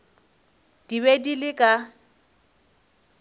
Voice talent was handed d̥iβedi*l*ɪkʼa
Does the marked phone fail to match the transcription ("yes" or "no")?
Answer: no